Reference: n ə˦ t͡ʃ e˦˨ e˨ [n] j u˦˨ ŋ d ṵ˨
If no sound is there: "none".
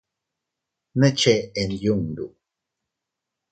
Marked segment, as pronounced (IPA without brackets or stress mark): n